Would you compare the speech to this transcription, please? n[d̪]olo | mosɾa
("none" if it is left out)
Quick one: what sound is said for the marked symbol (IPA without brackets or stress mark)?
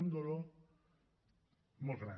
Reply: d̪